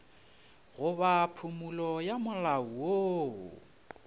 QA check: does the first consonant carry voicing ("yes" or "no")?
yes